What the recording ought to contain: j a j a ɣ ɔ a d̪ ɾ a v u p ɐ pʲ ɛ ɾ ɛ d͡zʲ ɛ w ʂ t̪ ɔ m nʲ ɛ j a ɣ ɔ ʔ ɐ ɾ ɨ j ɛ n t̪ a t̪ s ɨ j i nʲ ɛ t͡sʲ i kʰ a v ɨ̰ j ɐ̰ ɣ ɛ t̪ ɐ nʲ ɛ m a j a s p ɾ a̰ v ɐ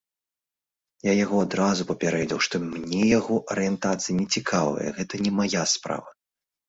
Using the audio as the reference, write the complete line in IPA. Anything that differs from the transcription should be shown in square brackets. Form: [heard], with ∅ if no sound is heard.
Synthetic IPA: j a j a ɣ ɔ a d̪ ɾ a [z] u p ɐ pʲ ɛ ɾ ɛ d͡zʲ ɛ w ʂ t̪ ɔ m nʲ ɛ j a ɣ ɔ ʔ ɐ ɾ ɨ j ɛ n t̪ a t̪ s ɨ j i nʲ ɛ t͡sʲ i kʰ a v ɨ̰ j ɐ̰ ɣ ɛ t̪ ɐ nʲ ɛ m a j a s p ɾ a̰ v ɐ